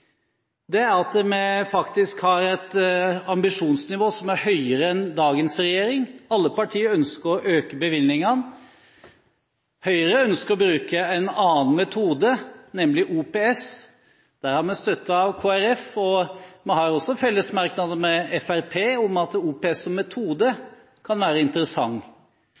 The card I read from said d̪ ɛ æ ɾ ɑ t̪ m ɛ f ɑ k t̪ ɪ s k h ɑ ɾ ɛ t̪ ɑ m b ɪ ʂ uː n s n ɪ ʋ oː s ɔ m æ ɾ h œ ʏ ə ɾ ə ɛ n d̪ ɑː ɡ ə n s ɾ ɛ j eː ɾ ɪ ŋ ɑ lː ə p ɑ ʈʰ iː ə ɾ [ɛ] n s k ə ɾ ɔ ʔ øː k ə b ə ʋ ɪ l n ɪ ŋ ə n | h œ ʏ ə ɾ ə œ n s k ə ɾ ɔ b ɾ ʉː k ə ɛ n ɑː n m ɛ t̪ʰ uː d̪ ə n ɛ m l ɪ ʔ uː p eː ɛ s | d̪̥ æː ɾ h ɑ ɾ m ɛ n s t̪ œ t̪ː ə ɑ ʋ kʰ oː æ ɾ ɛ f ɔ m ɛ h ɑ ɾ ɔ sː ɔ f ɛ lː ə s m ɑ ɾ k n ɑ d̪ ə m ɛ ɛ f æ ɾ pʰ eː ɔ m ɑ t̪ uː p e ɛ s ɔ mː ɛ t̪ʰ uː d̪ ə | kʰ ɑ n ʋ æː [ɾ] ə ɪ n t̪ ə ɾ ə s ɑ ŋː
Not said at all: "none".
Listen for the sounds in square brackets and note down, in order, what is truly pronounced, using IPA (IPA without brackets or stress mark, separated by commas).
œ, ɾ